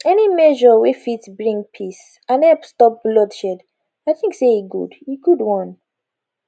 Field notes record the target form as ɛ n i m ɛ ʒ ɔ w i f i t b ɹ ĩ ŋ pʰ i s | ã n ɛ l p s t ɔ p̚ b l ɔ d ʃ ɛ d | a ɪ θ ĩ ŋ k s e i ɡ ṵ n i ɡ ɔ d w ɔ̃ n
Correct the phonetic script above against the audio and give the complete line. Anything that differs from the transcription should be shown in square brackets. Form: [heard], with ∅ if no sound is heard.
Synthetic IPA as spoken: ɛ n i m ɛ ʒ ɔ w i f i t b ɹ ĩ ŋ pʰ i s | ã n ɛ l p s t ɔ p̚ b l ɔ d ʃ ɛ d | a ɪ θ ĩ ŋ k s e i ɡ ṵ [d] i ɡ [u] d w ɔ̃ n